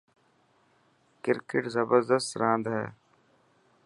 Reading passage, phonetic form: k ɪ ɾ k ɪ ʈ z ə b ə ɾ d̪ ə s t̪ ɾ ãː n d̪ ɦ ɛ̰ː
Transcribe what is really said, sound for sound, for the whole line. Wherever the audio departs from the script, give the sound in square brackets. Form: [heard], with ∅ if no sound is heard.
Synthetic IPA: k ɪ ɾ k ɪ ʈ z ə b ə ɾ d̪ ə s t̪ ɾ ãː n d̪ ɦ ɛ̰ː